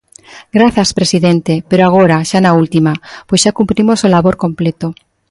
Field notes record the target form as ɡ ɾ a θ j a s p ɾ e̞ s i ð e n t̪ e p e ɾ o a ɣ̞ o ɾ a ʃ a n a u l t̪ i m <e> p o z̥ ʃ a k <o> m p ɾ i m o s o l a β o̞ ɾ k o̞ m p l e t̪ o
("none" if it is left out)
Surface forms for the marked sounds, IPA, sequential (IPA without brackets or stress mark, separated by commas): a, u